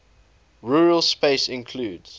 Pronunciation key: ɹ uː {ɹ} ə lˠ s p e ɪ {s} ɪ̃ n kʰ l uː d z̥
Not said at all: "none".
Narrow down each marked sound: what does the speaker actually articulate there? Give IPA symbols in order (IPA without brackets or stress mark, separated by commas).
ɹ, s